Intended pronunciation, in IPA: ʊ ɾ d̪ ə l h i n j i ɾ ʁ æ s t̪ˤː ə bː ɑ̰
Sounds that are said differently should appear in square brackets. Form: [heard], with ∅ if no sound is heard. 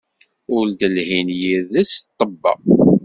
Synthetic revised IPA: ʊ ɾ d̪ ə l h i n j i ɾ [ð] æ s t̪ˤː ə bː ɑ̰